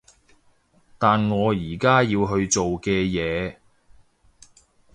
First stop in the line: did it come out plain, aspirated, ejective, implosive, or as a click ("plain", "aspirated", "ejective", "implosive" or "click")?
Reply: plain